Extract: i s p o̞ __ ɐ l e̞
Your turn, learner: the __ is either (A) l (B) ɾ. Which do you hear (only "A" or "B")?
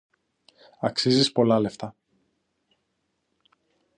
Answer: A